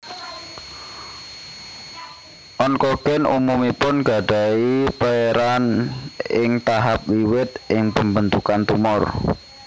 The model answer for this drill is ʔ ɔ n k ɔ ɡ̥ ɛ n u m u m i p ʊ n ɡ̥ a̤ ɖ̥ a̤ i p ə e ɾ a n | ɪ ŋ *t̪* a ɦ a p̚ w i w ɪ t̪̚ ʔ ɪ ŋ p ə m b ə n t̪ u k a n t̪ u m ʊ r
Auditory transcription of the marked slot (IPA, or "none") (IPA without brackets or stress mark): t̪